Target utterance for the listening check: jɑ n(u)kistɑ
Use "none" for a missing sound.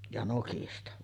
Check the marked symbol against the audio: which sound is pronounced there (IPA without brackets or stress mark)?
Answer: o